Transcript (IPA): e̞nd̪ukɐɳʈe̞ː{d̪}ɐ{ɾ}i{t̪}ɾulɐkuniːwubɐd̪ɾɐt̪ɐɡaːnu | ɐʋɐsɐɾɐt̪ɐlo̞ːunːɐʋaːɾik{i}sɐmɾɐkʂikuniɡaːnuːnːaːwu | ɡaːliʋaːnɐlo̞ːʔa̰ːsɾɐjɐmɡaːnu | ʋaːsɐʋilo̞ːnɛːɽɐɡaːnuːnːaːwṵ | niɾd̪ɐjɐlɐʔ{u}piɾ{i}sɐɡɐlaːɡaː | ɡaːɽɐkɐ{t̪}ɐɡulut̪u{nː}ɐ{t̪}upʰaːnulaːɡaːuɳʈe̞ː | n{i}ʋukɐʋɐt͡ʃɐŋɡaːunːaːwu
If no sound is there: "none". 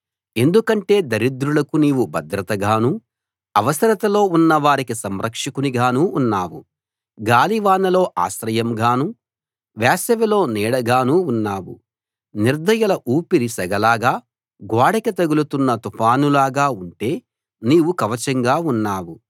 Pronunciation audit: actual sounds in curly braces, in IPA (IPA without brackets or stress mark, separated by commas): d̪, ɾ, d̪, i, uː, i, t̪, nː, t̪, iː